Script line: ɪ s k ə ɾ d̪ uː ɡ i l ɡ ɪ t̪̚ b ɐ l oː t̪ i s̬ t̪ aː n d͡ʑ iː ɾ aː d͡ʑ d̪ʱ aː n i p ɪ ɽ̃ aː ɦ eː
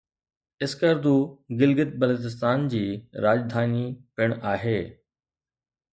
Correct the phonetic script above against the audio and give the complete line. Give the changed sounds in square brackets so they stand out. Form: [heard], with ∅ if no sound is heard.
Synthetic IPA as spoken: ɪ s k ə ɾ d̪ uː ɡ [ɪ] l ɡ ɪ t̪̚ b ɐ l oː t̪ [ɪ] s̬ t̪ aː n d͡ʑ iː ɾ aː d͡ʑ d̪ʱ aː n i p ɪ ɽ̃ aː ɦ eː